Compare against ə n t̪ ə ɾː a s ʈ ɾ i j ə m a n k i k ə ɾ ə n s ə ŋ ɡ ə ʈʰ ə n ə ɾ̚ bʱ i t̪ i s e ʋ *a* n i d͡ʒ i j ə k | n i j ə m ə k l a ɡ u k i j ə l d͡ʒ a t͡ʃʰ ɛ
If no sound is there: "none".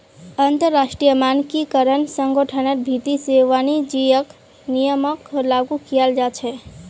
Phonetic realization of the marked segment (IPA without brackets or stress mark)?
a